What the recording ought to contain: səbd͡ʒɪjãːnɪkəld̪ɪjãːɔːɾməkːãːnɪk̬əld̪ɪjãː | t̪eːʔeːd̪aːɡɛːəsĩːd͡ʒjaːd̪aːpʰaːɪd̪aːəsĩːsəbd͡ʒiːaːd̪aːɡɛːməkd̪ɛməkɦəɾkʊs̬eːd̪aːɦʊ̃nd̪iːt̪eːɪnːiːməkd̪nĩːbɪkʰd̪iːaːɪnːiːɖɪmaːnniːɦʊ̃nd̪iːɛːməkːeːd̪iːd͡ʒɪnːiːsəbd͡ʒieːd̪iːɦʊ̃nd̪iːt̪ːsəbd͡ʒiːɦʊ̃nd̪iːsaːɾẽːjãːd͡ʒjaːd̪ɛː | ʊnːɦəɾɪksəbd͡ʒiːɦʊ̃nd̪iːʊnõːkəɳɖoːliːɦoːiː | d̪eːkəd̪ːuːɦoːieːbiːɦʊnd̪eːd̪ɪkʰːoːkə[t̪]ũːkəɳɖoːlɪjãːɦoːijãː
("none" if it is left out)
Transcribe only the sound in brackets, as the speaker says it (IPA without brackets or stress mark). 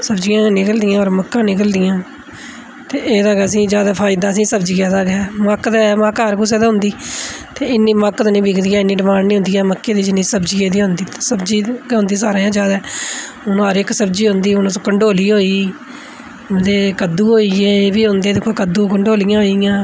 d̪